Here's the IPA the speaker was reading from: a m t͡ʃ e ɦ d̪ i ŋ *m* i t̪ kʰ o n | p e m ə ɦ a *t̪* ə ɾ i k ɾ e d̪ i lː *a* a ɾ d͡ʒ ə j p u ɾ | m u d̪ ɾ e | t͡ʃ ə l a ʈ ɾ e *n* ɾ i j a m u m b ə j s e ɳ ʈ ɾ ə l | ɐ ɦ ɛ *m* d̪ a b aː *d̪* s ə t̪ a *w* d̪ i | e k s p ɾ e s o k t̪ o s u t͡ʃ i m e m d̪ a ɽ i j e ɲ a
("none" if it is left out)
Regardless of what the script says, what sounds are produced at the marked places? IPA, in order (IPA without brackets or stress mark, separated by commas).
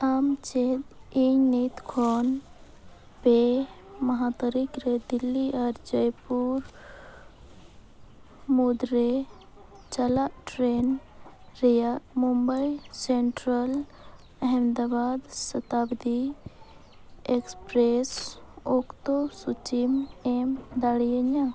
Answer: n, t̪, i, n, m, d̪, b